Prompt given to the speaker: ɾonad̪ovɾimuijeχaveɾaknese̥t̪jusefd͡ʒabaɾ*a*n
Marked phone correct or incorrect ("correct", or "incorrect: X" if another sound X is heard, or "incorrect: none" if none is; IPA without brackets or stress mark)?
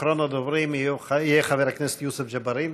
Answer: incorrect: i